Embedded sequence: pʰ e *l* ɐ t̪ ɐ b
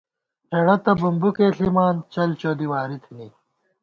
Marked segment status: incorrect: ɽ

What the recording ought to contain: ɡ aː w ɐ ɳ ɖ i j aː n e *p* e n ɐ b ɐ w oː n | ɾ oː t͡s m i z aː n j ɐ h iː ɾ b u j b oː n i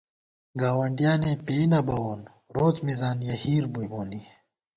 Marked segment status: correct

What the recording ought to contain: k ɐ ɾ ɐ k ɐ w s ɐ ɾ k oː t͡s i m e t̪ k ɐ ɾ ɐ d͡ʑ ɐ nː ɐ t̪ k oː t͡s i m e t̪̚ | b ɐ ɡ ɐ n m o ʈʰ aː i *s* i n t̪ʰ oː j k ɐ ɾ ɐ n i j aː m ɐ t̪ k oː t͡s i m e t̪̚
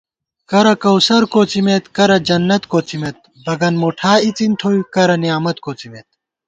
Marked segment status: incorrect: t͡s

